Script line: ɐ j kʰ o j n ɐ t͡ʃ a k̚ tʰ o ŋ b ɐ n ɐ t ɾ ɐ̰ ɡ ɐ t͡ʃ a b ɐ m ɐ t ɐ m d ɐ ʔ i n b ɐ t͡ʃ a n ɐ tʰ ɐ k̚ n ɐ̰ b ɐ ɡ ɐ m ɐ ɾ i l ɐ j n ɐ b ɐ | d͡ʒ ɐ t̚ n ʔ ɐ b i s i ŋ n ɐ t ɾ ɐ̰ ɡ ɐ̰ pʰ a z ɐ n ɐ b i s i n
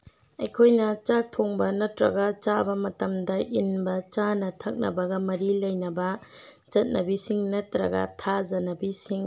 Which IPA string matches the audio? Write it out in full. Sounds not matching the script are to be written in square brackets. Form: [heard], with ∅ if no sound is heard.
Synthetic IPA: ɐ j kʰ o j n ɐ t͡ʃ a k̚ tʰ o ŋ b ɐ n ɐ t ɾ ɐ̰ ɡ ɐ t͡ʃ a b ɐ m ɐ t ɐ m d ɐ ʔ i n b ɐ t͡ʃ a n ɐ tʰ ɐ k̚ n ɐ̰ b ɐ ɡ ɐ m ɐ ɾ i l ɐ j n ɐ b ɐ | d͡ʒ ɐ t̚ n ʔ ɐ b i s i ŋ n ɐ t ɾ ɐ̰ ɡ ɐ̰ [tʰ] a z ɐ n ɐ b i s i [ŋ]